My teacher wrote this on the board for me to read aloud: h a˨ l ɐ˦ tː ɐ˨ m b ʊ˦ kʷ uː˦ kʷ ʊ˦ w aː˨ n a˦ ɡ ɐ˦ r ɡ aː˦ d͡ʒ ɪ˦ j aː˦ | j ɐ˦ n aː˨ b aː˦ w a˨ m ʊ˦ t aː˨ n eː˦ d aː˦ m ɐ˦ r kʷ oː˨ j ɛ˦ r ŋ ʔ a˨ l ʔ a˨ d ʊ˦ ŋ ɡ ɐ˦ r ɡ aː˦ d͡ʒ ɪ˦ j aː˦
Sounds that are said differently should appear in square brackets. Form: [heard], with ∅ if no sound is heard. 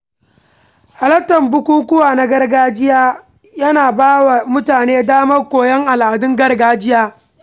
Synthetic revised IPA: h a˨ l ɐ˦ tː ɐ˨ m b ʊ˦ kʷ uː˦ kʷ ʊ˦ w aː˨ n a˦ ɡ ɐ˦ r ɡ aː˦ d͡ʒ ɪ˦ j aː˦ | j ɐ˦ n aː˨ b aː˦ w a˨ m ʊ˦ t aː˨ n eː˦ d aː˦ m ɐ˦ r kʷ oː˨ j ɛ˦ [∅] ŋ ʔ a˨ l ʔ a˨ d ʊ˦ ŋ ɡ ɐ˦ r ɡ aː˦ d͡ʒ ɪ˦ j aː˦

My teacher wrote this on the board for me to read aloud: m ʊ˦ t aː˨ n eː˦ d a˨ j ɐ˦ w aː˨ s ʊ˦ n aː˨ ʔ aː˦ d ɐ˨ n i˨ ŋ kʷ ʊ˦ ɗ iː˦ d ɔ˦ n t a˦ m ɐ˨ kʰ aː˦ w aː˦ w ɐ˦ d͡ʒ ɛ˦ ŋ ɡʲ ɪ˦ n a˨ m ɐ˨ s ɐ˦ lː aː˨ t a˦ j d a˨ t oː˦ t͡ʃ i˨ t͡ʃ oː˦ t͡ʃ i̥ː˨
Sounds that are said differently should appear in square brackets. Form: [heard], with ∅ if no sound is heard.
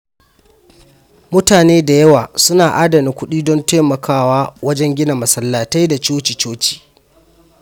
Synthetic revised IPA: m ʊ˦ t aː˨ n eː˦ d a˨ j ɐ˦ w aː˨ s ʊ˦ n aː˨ ʔ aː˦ d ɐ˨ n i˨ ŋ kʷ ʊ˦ ɗ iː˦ d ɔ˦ n t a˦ m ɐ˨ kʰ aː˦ w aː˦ w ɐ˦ d͡ʒ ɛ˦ ŋ ɡʲ ɪ˦ n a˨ m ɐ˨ s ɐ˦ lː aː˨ t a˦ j d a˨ [t͡ʃ] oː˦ t͡ʃ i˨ t͡ʃ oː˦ t͡ʃ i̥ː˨

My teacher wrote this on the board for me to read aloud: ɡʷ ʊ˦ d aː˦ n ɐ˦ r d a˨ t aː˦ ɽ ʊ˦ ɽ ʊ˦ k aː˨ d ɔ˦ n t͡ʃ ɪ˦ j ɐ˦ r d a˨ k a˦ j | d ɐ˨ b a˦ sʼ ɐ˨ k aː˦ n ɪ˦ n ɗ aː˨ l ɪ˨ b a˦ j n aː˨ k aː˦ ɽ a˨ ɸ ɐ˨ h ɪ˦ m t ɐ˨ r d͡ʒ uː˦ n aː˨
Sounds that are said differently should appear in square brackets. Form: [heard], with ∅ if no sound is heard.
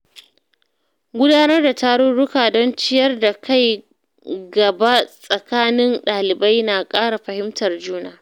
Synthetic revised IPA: ɡʷ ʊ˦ d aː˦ n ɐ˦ r d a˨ t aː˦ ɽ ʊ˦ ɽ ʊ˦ k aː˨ d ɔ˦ n t͡ʃ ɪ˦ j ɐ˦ r d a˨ k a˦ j | [ɡ] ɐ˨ b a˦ sʼ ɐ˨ k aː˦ n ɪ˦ n ɗ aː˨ l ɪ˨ b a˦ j n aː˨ [kʼ] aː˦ ɽ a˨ ɸ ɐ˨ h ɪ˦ m t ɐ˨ r d͡ʒ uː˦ n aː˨

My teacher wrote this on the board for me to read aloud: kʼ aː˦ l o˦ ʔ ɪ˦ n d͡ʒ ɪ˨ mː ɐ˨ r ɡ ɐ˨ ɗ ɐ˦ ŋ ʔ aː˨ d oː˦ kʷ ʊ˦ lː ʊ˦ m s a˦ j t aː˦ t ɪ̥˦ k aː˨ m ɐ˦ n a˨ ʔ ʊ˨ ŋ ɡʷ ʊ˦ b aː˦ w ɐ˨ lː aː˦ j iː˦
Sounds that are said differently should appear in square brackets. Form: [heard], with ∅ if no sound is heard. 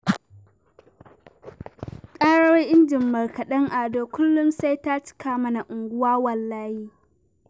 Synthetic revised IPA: kʼ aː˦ [ɽ] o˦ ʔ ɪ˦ n d͡ʒ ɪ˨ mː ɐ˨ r [k] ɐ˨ ɗ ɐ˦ ŋ ʔ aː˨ d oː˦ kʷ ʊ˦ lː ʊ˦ m s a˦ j t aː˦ [t͡ʃ] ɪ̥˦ k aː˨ m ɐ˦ n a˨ ʔ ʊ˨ ŋ ɡʷ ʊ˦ [w] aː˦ w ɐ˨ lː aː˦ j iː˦

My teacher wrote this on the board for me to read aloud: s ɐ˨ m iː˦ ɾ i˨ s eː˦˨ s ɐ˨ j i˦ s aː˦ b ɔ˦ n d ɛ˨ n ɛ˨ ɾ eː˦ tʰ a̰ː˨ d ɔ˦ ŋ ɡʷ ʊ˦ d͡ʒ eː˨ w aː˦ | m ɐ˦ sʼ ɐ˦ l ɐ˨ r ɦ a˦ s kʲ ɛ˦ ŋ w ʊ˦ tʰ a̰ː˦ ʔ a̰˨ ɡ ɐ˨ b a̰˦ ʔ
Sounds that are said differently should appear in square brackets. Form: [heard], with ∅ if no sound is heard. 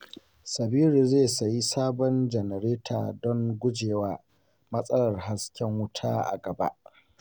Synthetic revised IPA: s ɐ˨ [b] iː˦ ɾ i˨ [z] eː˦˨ s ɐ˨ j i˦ s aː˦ b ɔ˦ n [d͡ʒ] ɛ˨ n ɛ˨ ɾ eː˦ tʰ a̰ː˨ d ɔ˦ ŋ ɡʷ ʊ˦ d͡ʒ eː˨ w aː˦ | m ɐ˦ sʼ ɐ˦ l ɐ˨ r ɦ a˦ s kʲ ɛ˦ ŋ w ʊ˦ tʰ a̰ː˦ ʔ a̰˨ ɡ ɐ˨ b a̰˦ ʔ

